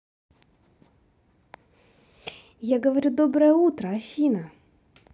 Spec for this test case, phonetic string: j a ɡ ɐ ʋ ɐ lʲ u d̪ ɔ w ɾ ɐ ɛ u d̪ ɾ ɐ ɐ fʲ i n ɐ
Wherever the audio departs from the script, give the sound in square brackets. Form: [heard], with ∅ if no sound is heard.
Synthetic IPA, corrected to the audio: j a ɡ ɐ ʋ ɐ [ɾʲ] u d̪ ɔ [b] ɾ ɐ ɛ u [t̪] ɾ ɐ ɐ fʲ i n ɐ